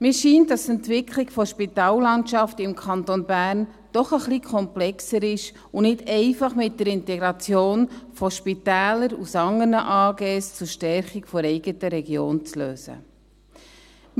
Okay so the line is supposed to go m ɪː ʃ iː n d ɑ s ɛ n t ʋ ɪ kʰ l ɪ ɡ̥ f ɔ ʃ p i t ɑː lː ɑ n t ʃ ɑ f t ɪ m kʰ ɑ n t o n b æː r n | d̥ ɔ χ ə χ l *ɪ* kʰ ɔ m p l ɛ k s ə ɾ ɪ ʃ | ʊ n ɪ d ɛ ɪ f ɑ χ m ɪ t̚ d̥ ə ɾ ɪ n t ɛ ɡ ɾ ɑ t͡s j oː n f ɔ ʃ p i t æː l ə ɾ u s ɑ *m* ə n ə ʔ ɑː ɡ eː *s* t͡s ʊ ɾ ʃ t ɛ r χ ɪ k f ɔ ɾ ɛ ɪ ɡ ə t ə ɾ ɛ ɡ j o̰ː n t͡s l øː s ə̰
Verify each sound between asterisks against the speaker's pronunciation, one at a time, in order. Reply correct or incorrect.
incorrect, incorrect, correct

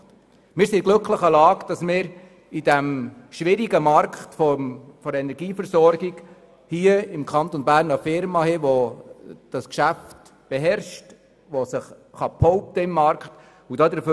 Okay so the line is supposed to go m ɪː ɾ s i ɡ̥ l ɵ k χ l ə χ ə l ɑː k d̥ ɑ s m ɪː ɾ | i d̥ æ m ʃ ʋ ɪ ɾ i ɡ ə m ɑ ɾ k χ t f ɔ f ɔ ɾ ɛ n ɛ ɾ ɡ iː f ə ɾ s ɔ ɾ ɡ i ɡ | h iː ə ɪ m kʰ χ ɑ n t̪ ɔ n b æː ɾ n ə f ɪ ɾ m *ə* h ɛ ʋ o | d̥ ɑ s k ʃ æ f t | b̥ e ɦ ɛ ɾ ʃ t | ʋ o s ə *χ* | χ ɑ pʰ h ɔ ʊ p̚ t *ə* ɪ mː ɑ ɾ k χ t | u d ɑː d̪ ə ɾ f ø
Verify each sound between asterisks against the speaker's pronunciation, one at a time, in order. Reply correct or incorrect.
incorrect, correct, correct

